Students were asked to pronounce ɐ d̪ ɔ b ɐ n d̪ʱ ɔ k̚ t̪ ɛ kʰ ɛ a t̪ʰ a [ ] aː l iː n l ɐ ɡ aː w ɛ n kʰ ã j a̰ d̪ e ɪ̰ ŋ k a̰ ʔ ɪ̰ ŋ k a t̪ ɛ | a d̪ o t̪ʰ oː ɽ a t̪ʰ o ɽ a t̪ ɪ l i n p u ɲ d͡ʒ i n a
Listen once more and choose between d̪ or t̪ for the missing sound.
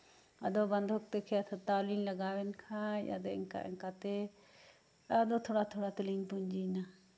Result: t̪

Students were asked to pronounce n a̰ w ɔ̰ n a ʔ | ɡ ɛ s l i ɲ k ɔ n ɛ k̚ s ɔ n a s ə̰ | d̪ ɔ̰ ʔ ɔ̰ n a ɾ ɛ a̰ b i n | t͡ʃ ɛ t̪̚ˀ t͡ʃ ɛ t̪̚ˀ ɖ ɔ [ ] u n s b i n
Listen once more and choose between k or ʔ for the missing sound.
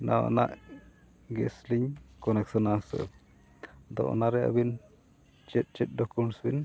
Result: k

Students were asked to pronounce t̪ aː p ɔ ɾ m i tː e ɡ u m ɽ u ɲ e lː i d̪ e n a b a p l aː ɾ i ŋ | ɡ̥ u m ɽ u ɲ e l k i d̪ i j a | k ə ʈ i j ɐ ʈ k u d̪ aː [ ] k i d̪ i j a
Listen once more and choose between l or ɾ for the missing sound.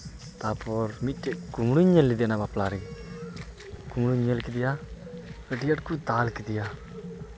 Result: l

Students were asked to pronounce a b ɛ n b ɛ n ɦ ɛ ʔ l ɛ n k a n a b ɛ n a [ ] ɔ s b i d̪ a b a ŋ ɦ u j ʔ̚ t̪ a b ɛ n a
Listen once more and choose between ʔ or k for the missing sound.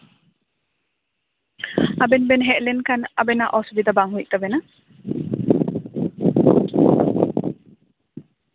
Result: ʔ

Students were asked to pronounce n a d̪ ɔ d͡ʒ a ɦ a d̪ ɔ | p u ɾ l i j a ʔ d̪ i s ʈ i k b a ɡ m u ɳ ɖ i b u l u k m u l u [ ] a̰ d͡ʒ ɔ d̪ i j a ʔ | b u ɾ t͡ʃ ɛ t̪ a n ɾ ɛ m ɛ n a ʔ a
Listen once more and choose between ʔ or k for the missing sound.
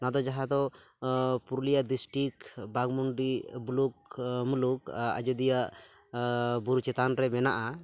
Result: k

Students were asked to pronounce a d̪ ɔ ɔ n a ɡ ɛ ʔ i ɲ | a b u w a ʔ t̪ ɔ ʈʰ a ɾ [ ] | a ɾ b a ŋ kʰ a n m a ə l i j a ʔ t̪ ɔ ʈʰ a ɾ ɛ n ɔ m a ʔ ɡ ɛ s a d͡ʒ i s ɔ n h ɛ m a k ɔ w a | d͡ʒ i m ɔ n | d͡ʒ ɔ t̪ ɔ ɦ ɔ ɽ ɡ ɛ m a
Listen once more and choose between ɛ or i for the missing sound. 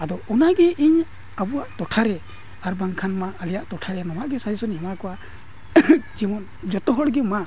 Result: ɛ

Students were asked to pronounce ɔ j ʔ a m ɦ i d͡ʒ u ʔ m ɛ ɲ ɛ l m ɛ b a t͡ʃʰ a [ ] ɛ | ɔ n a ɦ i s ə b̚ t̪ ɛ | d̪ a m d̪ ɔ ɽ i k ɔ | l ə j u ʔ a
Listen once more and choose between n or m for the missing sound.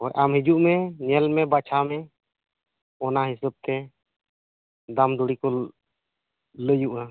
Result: m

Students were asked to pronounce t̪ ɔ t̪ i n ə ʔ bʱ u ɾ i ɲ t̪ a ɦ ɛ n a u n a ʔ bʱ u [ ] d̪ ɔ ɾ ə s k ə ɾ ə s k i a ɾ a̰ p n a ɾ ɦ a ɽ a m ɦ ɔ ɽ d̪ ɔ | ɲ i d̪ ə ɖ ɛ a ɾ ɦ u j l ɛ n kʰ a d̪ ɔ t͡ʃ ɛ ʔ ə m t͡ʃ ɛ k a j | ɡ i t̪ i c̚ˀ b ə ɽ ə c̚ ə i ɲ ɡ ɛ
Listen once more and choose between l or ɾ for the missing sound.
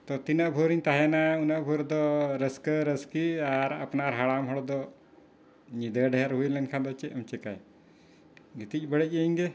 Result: ɾ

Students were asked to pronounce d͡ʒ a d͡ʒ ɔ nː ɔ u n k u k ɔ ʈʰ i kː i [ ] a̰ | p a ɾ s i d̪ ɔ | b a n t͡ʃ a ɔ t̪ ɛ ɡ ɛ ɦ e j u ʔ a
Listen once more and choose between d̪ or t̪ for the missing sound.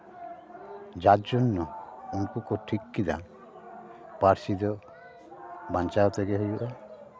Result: d̪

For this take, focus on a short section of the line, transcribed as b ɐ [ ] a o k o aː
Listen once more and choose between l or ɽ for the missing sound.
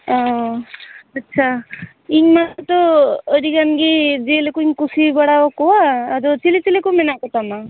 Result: ɽ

